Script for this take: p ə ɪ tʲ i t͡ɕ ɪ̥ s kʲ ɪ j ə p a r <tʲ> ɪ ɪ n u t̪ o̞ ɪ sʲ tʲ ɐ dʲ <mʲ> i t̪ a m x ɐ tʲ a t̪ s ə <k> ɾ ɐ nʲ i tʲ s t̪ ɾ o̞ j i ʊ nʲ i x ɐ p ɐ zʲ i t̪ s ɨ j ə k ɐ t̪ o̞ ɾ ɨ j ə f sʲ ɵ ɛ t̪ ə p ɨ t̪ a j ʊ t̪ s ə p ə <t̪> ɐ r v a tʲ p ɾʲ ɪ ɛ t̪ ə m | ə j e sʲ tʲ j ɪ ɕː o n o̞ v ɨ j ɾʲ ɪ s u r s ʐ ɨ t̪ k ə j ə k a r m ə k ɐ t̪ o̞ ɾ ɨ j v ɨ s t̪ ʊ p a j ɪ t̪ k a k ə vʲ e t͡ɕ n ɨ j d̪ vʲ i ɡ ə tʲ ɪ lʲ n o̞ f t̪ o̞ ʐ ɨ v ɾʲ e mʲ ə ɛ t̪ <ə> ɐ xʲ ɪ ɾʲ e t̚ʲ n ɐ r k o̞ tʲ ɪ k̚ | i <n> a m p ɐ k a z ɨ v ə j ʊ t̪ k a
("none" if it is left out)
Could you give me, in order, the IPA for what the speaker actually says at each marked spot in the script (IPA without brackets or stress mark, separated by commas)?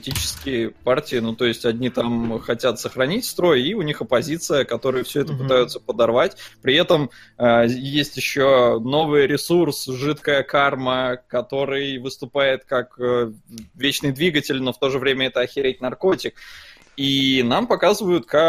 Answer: tʲ, nʲ, x, d̪, ə, n